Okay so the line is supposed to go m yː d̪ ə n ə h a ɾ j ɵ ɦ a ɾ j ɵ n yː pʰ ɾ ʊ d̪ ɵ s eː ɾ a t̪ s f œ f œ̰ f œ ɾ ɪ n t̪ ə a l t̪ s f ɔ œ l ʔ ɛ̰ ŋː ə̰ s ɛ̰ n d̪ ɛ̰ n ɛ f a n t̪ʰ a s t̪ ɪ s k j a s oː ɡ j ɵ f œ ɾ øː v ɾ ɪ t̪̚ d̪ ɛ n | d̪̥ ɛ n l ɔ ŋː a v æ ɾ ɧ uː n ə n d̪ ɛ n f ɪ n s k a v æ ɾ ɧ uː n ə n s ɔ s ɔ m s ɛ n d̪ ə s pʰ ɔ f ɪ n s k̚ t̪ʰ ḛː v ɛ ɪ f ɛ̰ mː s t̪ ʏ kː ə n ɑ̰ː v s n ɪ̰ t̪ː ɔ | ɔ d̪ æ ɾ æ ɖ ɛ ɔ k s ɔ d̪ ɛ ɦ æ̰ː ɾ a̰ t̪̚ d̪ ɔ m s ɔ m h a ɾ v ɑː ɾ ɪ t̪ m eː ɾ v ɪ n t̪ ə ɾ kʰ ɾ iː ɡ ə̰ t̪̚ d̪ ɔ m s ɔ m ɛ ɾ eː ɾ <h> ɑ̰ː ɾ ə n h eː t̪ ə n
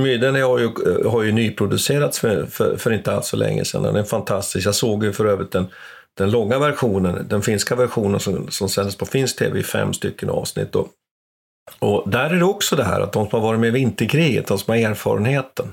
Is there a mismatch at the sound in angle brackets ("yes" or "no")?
yes